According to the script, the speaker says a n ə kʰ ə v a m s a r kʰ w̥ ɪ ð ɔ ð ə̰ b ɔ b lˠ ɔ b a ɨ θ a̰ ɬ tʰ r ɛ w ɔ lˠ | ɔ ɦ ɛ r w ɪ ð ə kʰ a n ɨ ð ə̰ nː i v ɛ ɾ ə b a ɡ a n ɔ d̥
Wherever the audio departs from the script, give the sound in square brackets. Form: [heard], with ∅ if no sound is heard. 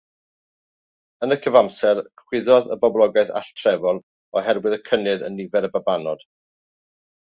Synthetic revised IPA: [ə] n ə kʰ ə v a m s [ɛ] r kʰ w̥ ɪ ð ɔ ð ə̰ b ɔ b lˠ ɔ [ɡ] a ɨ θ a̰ ɬ tʰ r ɛ [v] ɔ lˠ | ɔ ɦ ɛ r w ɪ ð ə kʰ [ə] n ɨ ð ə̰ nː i v ɛ ɾ ə b a [b] a n ɔ d̥